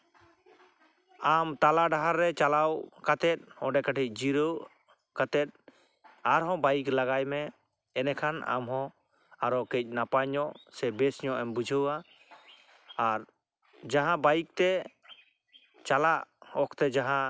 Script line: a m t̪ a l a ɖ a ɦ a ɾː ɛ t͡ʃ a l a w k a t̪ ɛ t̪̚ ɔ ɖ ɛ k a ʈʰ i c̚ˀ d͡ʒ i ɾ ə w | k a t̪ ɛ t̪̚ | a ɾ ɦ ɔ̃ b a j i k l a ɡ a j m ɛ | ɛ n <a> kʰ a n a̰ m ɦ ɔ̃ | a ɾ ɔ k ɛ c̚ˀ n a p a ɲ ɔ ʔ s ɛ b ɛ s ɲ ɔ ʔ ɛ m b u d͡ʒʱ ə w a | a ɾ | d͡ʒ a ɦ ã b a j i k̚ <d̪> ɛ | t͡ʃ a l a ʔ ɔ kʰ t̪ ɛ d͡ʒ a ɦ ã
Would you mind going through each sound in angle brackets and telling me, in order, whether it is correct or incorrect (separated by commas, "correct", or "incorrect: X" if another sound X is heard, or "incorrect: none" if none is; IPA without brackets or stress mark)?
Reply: incorrect: ɛ, incorrect: t̪